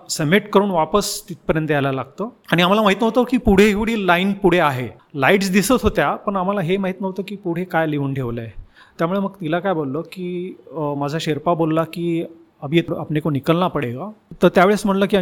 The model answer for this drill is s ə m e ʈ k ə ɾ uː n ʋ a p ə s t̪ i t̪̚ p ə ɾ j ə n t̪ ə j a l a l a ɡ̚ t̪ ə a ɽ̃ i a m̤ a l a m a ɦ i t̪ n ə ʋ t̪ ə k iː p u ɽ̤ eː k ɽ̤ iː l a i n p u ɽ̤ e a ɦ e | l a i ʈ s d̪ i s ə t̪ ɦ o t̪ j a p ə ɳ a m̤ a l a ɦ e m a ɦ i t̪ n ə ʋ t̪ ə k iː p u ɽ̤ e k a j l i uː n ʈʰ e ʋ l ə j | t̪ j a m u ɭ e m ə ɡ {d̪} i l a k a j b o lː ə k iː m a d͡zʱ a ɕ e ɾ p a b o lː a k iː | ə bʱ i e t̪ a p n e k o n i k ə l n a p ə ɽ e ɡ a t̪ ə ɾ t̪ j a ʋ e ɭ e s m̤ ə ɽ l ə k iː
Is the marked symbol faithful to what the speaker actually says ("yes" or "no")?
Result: no